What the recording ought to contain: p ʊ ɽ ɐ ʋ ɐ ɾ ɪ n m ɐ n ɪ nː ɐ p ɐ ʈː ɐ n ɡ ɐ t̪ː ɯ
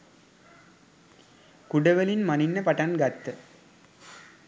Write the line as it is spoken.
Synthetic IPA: k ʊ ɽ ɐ ʋ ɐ l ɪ n m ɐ n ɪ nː ɐ p ɐ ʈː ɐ n ɡ ɐ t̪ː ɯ